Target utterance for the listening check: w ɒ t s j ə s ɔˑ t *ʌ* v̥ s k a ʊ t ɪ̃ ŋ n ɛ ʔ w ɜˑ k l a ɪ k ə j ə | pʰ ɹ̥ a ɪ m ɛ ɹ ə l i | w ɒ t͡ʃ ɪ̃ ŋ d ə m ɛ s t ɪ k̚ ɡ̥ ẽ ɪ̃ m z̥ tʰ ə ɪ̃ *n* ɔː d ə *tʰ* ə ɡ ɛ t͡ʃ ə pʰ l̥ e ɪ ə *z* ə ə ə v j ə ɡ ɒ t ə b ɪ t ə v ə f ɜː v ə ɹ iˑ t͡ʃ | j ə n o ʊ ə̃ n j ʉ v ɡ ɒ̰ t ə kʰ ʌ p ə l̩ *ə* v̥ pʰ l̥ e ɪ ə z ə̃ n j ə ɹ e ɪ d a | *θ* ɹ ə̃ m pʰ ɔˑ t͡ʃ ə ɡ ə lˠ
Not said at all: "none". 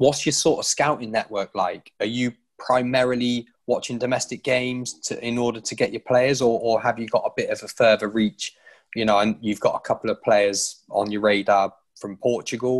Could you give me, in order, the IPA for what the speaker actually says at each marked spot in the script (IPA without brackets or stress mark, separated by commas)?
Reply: ə, n, tʰ, z, ə, f